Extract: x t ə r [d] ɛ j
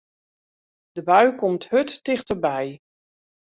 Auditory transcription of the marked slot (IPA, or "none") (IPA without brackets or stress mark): b